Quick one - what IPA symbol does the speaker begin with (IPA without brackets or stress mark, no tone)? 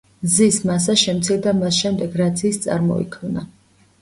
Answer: z